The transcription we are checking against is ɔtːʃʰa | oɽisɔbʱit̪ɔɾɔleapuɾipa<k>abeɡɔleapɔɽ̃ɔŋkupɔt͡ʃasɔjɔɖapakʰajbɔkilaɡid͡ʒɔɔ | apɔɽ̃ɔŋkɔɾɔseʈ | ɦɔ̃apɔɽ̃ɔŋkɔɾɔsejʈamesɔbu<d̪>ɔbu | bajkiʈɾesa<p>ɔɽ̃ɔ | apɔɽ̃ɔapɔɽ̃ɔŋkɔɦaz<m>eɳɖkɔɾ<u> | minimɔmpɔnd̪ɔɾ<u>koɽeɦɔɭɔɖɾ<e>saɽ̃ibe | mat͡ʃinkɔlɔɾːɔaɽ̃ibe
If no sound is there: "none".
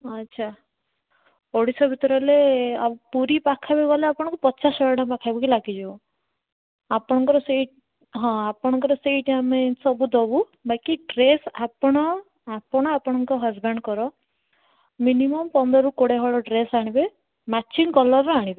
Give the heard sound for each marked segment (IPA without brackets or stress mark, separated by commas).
kʰ, d̪, p, b, ɔ, u, e